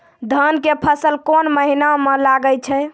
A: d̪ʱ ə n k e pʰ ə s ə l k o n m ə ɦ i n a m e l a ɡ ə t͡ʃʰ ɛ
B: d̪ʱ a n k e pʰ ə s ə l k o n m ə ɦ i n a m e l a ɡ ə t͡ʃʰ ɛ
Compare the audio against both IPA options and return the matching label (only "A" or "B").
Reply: A